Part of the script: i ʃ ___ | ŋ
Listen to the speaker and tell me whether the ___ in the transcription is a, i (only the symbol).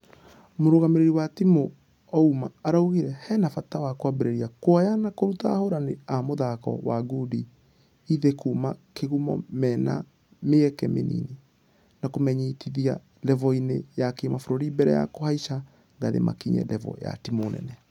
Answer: a